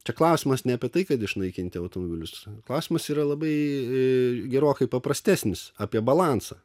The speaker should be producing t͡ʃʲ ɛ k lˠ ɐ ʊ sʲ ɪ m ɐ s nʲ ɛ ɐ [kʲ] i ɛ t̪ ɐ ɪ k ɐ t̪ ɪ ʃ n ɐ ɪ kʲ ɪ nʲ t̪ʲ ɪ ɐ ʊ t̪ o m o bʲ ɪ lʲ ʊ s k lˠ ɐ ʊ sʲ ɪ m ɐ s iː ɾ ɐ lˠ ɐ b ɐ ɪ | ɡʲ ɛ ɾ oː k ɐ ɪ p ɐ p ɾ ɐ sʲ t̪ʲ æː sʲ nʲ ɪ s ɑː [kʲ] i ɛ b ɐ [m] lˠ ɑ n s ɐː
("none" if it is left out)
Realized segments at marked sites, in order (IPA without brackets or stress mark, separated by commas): pʲ, pʲ, none